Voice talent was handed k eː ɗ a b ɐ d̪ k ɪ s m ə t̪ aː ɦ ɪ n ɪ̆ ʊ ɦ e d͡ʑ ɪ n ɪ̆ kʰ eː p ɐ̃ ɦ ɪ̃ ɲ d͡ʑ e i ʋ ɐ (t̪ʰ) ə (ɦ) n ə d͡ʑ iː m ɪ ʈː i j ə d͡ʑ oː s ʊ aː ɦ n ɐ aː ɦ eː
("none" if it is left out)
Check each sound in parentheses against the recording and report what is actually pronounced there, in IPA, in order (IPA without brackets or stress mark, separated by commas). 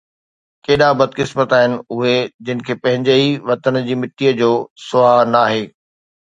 t̪, none